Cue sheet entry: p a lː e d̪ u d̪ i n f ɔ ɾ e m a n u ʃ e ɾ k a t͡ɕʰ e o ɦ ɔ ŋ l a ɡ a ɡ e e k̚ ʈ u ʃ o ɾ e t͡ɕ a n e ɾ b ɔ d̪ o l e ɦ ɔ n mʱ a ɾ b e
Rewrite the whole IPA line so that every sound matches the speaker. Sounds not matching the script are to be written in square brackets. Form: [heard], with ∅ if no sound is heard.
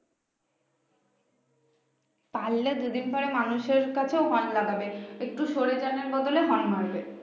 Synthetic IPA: p a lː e d̪ u d̪ i n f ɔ ɾ e m a n u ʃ e ɾ k a t͡ɕʰ e o ɦ ɔ [n] l a ɡ a [b] e e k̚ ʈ u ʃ o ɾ e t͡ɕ a n e ɾ b ɔ d̪ o l e ɦ ɔ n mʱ a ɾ b e